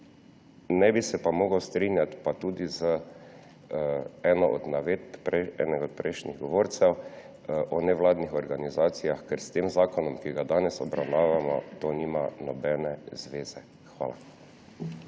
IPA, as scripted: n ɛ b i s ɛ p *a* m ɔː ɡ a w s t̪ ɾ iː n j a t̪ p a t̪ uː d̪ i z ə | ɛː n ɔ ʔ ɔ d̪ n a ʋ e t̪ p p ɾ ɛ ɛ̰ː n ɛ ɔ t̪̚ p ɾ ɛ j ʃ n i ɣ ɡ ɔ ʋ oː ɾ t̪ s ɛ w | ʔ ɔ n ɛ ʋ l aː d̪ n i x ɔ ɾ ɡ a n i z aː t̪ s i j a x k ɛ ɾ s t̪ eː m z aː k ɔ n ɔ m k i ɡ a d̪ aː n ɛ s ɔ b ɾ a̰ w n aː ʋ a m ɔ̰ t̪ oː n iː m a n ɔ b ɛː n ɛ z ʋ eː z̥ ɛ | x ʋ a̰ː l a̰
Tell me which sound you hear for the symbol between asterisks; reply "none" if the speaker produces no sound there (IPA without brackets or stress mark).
a